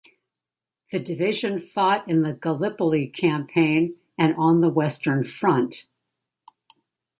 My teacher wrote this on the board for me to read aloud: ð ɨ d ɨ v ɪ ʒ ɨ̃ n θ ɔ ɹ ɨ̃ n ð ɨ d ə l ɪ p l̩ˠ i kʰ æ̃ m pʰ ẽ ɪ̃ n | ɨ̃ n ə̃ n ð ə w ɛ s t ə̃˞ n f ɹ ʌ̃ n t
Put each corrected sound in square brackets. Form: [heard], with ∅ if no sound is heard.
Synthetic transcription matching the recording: ð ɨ d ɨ v ɪ ʒ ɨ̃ n [f] ɔ [ɾ] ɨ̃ n ð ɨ [ɡ] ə l ɪ p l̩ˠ i kʰ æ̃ m pʰ ẽ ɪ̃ n | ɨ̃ n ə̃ n ð ə w ɛ s t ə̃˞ n f ɹ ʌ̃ n t